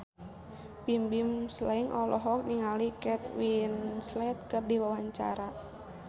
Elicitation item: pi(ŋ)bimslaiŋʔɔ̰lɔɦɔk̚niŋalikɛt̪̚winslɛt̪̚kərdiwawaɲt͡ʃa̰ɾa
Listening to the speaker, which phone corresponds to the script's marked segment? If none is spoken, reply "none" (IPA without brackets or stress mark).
m